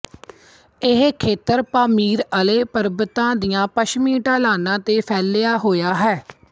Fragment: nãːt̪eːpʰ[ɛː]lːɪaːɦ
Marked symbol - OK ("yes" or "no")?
yes